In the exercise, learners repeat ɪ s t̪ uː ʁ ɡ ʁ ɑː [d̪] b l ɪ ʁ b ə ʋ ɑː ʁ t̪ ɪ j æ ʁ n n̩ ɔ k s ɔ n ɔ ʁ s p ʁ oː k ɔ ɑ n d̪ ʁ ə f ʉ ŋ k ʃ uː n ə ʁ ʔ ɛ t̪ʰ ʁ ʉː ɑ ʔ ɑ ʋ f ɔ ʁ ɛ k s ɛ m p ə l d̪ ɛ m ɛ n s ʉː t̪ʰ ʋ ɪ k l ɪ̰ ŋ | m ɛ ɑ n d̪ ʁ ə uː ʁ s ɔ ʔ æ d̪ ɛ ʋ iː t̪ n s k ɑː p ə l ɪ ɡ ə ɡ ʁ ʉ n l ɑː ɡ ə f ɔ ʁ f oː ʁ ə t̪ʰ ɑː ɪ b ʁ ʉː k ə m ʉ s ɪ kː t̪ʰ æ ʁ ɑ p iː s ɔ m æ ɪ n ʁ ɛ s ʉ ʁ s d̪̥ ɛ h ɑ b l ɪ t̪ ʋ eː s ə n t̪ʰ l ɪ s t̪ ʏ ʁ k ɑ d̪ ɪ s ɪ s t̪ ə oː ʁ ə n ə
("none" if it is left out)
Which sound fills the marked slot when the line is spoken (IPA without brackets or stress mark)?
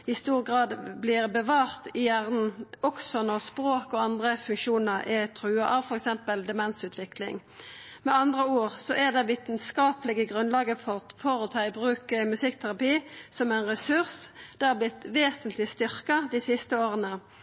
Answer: d̪